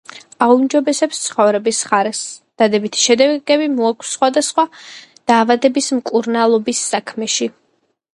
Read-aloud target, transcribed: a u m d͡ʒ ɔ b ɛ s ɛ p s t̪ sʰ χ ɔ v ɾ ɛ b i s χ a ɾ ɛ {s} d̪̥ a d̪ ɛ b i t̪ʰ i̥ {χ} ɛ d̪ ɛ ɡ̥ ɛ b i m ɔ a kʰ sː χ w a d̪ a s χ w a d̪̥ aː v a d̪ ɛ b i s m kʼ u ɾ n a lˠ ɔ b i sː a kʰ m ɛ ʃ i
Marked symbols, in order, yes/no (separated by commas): yes, no